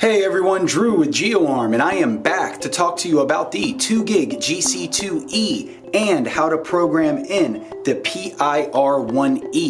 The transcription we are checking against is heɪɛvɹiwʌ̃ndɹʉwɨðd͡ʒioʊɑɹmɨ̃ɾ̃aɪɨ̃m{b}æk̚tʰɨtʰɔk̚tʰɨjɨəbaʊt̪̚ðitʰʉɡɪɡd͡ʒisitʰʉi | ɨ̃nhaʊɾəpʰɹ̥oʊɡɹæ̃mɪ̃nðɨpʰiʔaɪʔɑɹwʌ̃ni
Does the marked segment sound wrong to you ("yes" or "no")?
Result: no